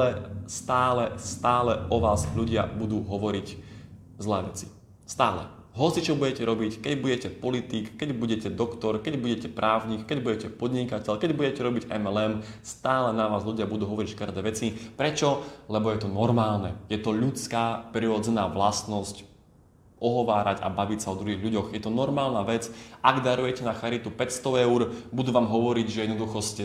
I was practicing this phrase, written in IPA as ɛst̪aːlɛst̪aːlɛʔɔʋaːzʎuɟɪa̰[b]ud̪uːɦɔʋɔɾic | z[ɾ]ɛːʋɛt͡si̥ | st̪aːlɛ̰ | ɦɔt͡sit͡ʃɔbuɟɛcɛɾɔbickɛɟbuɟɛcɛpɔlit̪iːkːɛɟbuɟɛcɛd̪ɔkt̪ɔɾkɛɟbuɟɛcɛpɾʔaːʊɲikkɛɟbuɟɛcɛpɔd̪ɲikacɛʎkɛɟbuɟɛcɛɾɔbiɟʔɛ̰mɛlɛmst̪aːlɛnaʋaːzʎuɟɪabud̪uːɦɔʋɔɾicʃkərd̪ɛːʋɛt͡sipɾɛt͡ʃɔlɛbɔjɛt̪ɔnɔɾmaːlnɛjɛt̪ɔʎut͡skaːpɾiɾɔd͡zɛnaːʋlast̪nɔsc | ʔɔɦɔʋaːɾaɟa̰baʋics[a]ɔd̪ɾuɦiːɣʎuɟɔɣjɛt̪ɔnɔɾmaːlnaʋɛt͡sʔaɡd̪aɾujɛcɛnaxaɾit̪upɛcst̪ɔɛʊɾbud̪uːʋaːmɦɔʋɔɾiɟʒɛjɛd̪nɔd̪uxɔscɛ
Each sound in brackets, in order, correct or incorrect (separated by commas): correct, incorrect, correct